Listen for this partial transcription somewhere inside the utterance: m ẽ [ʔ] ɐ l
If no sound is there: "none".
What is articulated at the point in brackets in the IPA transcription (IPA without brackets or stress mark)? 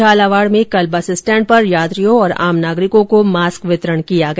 k